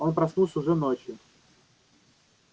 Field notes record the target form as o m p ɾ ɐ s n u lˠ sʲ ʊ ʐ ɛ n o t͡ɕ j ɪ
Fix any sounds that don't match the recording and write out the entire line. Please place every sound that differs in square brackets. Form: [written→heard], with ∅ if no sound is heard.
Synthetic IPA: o [m→n] p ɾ ɐ s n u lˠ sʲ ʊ ʐ ɛ n o t͡ɕ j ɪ